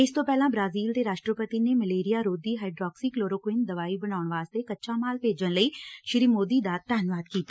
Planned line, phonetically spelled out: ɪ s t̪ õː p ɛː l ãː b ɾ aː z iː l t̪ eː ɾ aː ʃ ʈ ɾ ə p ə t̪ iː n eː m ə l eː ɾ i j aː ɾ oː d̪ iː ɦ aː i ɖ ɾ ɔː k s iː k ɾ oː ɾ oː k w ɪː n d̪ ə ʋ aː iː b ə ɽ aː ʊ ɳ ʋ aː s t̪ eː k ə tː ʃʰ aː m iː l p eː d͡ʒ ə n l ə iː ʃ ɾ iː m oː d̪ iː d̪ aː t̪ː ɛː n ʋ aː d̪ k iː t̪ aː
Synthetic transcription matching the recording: ɪ s t̪ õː p ɛː l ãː b ɾ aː z iː l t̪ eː ɾ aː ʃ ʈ ɾ ə p ə t̪ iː n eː m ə l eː ɾ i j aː ɾ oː d̪ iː ɦ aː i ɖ ɾ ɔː k s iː k l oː ɾ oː k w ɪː n d̪ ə ʋ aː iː b ə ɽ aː ʊ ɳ ʋ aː s t̪ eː k ə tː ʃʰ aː m aː l p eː d͡ʒ ə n l ə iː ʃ ɾ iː m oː d̪ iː d̪ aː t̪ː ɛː n ʋ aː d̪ k iː t̪ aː